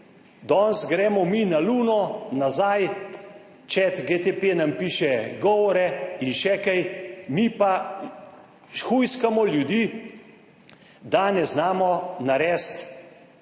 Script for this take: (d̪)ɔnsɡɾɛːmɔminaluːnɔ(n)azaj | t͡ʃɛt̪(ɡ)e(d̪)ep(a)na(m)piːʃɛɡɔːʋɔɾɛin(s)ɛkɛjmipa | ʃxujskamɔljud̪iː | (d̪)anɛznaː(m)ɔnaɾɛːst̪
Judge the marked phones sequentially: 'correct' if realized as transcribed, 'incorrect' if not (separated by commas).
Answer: correct, correct, correct, incorrect, incorrect, correct, incorrect, correct, correct